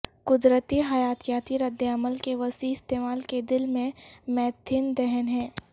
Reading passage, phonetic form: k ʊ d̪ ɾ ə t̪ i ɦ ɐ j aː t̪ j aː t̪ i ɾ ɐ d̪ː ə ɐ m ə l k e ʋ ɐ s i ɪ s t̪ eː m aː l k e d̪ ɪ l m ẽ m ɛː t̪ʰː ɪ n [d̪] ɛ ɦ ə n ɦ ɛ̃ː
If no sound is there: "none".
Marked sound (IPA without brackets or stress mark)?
d̪